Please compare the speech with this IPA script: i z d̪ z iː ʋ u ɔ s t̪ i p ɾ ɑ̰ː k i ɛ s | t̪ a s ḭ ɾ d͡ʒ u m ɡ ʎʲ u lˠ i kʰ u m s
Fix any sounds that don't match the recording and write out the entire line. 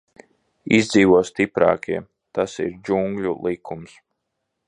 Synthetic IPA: i z d̪ z iː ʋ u ɔ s t̪ i p ɾ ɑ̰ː k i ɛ | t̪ a s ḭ ɾ d͡ʒ u ŋ ɡ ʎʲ u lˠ i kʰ u m s